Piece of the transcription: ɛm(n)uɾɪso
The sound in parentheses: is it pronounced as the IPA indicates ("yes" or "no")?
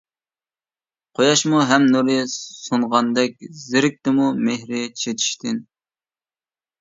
yes